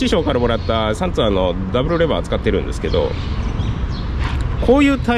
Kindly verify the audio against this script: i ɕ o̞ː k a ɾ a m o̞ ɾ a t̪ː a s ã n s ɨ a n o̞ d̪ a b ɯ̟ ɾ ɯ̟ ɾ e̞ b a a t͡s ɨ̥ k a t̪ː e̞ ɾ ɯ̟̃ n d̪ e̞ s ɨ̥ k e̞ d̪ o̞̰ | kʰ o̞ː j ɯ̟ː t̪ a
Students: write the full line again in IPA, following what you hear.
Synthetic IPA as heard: i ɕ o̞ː k a ɾ a m o̞ ɾ a t̪ː a s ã n t͡s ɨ a n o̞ d̪ a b ɯ̟ ɾ ɯ̟ ɾ e̞ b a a t͡s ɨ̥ k a t̪ː e̞ ɾ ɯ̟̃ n d̪ e̞ s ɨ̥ k e̞ d̪ o̞̰ | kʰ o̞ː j ɯ̟ː t̪ a

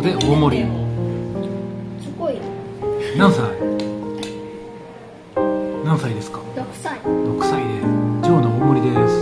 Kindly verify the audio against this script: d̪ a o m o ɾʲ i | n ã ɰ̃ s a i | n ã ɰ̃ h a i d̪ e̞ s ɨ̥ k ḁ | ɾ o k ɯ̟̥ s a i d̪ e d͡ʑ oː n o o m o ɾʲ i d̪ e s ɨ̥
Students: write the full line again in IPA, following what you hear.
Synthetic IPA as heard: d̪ e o m o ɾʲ i | n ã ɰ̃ s a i | n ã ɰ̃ s a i d̪ e̞ s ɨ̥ k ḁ | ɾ o k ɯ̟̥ s a i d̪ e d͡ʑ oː n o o m o ɾʲ i d̪ e s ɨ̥

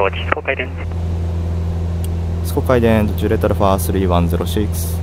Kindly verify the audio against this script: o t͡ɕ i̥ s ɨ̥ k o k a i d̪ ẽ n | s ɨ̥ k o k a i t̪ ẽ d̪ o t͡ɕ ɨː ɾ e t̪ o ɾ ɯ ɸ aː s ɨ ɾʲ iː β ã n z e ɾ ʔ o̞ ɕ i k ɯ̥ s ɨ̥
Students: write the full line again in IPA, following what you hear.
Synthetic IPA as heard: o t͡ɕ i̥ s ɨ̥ k o k a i d̪ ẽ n | s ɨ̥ k o k a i d̪ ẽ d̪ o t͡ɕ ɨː ɾ e t̪ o ɾ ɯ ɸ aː s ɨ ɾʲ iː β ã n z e ɾ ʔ o̞ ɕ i k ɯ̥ s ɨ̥

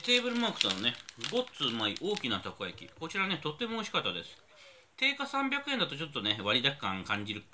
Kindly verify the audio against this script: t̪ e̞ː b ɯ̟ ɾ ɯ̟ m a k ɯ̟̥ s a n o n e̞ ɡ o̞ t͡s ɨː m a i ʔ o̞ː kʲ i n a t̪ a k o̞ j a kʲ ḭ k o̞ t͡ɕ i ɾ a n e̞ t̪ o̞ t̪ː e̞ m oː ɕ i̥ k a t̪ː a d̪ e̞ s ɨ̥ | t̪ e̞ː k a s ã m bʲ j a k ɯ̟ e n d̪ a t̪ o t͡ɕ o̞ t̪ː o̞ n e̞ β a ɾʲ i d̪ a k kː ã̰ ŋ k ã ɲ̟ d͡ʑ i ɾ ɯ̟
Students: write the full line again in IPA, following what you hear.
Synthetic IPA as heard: t̪ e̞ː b ɯ̟ ɾ ɯ̟ m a k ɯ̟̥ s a n o n e̞ ɡ o̞ t͡s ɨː m a i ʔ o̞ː kʲ i n a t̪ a k o̞ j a kʲ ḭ k o̞ t͡ɕ i ɾ a n e̞ t̪ o̞ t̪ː e̞ m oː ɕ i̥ k a t̪ː a d̪ e̞ s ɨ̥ | t̪ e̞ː k a s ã m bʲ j a k ɯ̟ e n d̪ a t̪ o t͡ɕ o̞ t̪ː o̞ n e̞ β a ɾʲ i d̪ a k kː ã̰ ŋ k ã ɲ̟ d͡ʑ i ɾ ɯ̟

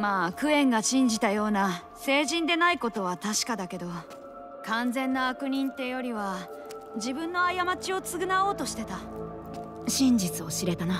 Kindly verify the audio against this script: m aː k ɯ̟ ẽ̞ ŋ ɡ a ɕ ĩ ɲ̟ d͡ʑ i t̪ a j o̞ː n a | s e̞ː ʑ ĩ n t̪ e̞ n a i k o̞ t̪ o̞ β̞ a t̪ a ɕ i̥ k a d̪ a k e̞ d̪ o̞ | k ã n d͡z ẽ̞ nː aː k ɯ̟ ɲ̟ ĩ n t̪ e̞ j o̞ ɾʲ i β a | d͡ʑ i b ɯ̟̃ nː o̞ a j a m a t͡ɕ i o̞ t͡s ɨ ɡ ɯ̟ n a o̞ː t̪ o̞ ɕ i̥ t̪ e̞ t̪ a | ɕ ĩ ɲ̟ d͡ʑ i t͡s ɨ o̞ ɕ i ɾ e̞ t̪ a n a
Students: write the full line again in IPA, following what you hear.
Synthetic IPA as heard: m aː k ɯ̟ ẽ̞ ŋ ɡ a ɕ ĩ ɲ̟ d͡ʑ i t̪ a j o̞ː n a | s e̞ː ʑ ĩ n d̪ e̞ n a i k o̞ t̪ o̞ β̞ a t̪ a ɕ i̥ k a d̪ a k e̞ d̪ o̞ | k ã n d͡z ẽ̞ nː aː k ɯ̟ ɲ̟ ĩ n t̪ e̞ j o̞ ɾʲ i β a | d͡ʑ i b ɯ̟̃ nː o̞ a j a m a t͡ɕ i o̞ t͡s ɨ ɡ ɯ̟ n a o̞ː t̪ o̞ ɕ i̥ t̪ e̞ t̪ a | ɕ ĩ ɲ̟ d͡ʑ i t͡s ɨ o̞ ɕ i ɾ e̞ t̪ a n a

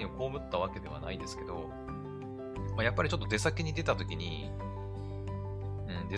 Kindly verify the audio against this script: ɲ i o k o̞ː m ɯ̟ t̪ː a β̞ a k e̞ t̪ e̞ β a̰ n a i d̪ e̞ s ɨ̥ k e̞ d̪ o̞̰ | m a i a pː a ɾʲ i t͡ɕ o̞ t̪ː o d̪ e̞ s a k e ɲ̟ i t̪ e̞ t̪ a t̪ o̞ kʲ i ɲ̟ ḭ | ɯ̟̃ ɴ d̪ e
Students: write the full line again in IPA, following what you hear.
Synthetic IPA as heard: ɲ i o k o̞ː m ɯ̟ t̪ː a β̞ a k e̞ d̪ e̞ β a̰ n a i d̪ e̞ s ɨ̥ k e̞ d̪ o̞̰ | m a j a pː a ɾʲ i t͡ɕ o̞ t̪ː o d̪ e̞ s a k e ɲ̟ i d̪ e̞ t̪ a t̪ o̞ kʲ i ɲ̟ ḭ | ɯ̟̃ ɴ d̪ e

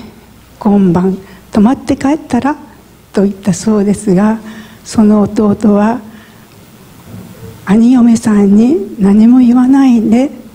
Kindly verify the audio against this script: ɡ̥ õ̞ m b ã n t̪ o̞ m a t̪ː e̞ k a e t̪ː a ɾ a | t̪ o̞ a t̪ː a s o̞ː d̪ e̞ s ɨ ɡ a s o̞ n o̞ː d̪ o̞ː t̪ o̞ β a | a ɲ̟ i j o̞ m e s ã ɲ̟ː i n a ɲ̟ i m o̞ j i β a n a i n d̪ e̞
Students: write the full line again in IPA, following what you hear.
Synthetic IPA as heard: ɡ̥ õ̞ m b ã n t̪ o̞ m a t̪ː e̞ k a e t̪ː a ɾ a | t̪ o̞ i t̪ː a s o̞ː d̪ e̞ s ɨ ɡ a s o̞ n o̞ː t̪ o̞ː t̪ o̞ β a | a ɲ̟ i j o̞ m e s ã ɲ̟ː i n a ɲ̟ i m o̞ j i β a n a i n d̪ e̞

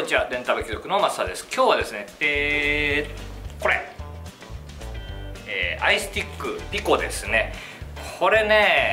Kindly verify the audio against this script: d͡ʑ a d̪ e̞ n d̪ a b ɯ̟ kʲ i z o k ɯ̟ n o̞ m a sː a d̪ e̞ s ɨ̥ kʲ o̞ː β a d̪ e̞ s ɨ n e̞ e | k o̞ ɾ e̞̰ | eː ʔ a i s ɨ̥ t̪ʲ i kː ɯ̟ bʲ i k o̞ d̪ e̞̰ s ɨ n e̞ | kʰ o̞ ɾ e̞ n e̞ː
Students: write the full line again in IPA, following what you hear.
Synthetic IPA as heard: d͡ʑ a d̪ ẽ̞ n t̪ a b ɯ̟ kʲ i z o k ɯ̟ n o̞ m a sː a d̪ e̞ s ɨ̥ kʲ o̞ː β a d̪ e̞ s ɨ n e̞ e | k o̞ ɾ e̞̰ | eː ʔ a i s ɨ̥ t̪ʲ i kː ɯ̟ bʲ i k o̞ d̪ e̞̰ s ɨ n e̞ | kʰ o̞ ɾ e̞ n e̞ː

